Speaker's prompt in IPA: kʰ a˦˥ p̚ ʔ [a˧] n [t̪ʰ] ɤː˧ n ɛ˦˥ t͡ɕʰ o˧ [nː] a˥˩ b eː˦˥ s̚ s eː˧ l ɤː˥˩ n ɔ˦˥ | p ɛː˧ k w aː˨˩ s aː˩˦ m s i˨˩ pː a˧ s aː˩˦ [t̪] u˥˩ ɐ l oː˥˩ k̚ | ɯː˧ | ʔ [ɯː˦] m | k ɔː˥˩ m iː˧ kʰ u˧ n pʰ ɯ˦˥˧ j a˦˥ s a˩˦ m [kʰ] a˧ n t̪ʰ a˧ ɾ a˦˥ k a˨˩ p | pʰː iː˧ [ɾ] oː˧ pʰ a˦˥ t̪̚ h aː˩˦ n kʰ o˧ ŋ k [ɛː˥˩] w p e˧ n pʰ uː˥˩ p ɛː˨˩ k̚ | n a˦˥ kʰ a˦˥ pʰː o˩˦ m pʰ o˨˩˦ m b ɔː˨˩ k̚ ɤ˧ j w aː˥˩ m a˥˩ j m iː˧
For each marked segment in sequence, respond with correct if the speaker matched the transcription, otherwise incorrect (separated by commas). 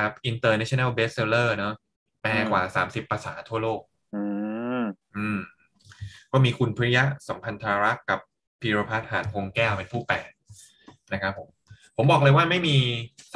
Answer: incorrect, incorrect, incorrect, incorrect, incorrect, incorrect, correct, correct